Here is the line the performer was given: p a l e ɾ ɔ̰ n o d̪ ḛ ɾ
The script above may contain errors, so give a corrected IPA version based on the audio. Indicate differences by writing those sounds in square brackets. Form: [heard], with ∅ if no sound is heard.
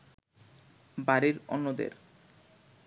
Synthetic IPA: [b] a [ɾ] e ɾ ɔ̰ [nː] o d̪ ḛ ɾ